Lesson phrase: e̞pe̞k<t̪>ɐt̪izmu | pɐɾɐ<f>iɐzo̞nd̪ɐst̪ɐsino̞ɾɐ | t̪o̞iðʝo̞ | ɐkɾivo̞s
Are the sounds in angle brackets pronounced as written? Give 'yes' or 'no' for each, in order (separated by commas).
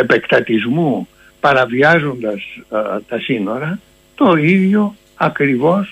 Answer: yes, no